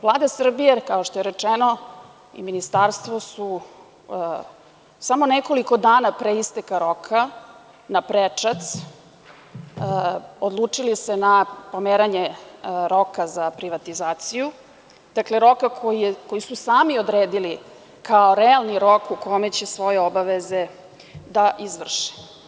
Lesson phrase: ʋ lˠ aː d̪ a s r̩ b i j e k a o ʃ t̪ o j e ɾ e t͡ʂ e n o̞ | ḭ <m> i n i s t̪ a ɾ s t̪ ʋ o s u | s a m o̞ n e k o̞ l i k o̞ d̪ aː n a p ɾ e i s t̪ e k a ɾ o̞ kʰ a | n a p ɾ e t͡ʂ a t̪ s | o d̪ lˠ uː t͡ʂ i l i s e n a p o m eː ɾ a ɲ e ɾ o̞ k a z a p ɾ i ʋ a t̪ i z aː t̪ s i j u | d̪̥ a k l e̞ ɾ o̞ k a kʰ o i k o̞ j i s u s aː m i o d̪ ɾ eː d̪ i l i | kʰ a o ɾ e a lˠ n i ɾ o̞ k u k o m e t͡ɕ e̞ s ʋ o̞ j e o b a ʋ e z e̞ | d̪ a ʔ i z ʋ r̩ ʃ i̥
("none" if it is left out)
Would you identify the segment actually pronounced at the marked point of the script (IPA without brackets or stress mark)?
m